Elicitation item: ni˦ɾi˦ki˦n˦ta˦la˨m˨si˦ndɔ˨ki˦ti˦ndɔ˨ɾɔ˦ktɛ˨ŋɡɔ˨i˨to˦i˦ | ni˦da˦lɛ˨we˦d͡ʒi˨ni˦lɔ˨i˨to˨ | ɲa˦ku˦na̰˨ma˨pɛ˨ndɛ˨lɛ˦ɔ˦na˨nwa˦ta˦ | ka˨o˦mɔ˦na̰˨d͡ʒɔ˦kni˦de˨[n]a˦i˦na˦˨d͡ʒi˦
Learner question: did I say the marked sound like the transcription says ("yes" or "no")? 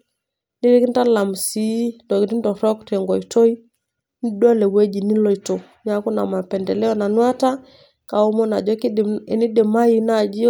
no